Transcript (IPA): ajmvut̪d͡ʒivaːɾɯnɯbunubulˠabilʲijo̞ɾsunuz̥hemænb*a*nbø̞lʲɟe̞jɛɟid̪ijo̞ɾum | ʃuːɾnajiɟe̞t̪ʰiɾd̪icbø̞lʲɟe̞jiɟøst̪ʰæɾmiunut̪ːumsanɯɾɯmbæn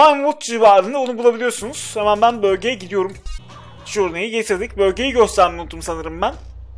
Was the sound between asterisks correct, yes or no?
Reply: no